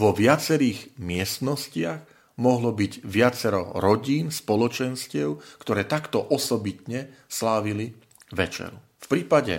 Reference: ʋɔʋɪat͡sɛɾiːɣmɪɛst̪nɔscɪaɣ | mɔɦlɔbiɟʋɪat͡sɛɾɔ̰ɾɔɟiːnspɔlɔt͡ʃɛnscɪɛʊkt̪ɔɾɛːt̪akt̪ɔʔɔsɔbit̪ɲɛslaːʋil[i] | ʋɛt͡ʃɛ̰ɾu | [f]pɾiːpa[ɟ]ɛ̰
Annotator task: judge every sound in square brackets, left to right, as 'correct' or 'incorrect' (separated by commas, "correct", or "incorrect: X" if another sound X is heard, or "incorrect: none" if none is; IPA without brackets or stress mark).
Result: correct, correct, correct